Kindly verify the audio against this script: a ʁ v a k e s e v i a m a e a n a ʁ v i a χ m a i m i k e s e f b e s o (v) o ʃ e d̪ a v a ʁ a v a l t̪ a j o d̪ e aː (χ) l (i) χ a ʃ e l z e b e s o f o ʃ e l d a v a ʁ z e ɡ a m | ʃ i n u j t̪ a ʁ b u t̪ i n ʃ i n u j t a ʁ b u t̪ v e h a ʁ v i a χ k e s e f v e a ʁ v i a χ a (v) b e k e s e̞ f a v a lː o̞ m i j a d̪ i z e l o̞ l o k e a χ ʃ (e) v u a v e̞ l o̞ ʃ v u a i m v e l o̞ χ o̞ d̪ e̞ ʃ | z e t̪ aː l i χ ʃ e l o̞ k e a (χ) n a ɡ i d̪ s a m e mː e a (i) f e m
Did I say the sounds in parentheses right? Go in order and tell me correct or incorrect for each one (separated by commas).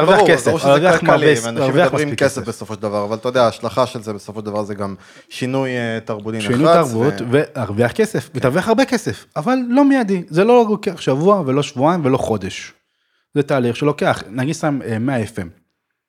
incorrect, incorrect, incorrect, incorrect, incorrect, correct, incorrect